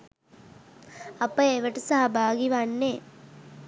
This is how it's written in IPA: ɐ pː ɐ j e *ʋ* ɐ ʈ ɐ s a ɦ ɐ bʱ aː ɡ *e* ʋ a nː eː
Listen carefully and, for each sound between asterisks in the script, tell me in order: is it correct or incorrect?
correct, incorrect

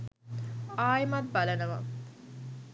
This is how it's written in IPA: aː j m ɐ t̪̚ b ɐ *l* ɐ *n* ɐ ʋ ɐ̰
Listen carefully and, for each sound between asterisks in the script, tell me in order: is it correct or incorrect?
correct, correct

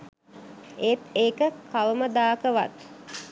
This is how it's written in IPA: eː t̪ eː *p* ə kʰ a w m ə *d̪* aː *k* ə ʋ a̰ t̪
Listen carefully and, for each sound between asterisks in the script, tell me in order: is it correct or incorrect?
incorrect, correct, correct

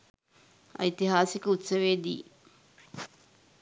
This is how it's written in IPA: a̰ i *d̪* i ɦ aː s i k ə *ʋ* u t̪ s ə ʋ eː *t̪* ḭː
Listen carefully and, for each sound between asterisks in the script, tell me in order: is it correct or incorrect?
incorrect, incorrect, incorrect

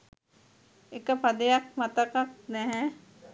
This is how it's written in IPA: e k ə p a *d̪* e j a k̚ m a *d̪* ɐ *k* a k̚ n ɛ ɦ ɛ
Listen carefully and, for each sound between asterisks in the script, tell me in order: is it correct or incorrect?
correct, incorrect, correct

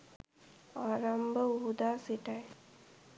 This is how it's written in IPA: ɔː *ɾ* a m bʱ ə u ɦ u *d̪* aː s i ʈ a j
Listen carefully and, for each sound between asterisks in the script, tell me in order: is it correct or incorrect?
correct, correct

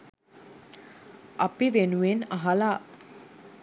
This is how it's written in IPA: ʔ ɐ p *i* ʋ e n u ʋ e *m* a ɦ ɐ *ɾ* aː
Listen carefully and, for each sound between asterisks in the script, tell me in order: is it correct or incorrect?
correct, incorrect, incorrect

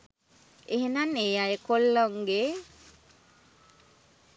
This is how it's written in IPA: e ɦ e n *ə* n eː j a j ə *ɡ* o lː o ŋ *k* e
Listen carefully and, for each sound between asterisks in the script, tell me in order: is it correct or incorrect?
incorrect, incorrect, incorrect

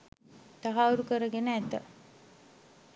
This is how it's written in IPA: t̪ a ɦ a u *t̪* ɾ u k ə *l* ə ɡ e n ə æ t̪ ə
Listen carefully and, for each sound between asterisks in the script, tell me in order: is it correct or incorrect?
incorrect, incorrect

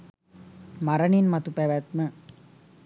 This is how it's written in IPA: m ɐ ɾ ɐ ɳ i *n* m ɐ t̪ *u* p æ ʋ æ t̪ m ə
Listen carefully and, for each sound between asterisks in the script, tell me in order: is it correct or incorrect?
correct, correct

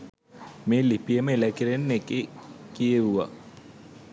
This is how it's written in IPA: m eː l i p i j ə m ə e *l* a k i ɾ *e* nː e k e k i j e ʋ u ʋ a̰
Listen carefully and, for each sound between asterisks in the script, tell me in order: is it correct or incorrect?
correct, correct

